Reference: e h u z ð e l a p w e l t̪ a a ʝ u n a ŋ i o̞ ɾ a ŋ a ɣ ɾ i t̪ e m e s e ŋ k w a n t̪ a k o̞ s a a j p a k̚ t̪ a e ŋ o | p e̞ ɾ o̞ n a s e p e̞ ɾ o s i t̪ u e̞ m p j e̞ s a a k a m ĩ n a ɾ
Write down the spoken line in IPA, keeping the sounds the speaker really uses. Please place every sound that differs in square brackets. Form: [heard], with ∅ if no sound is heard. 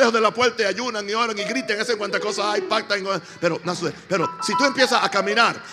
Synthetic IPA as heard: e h [o] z ð e l a p w e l t̪ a a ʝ u n a ŋ i o̞ ɾ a ŋ [i] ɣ ɾ i t̪ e [ŋ] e s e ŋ k w a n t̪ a k o̞ s a a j p a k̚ t̪ a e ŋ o | p e̞ ɾ o̞ n a s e p e̞ ɾ o s i t̪ u e̞ m p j e̞ s a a k a m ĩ n a ɾ